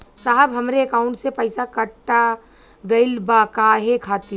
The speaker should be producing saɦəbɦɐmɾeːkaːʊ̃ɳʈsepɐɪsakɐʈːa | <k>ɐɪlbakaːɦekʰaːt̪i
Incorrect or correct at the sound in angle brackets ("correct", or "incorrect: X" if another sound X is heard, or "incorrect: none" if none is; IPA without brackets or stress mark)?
incorrect: ɡ